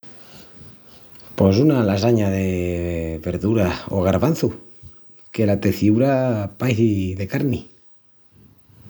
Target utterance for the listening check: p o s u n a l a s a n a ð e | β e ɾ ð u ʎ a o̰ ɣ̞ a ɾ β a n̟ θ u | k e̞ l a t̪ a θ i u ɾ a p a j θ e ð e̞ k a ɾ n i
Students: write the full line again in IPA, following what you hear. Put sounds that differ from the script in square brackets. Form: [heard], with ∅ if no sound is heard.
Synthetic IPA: p o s u n a l a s a [ɲ] a ð e | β e ɾ ð u [ɾ] a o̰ ɣ̞ a ɾ β a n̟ θ u | k e̞ l a t̪ [e] θ i u ɾ a p a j θ [i] ð e̞ k a ɾ n i